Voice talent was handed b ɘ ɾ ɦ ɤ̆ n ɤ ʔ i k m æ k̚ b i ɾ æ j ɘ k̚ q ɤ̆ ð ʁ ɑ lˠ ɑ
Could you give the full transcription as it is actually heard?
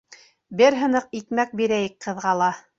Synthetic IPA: b ɘ ɾ ɦ ɤ̆ n ɤ q i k m æ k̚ b i ɾ æ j ɘ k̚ q ɤ̆ ð ʁ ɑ lˠ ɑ